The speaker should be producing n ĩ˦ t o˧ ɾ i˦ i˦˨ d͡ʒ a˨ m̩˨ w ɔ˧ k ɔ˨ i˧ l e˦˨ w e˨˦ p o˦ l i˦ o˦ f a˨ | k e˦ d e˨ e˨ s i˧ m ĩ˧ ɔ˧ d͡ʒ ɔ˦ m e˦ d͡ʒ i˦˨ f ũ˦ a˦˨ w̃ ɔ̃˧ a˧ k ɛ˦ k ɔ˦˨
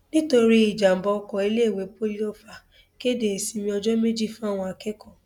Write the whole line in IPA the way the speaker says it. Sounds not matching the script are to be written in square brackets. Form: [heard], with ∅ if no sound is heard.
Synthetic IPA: n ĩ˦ t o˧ ɾ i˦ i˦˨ d͡ʒ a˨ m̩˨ [b] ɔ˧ k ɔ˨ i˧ l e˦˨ w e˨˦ p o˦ l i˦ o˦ f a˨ | k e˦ d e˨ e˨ s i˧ m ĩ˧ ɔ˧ d͡ʒ ɔ˦ m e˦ d͡ʒ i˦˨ f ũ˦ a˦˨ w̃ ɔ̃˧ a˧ k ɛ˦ k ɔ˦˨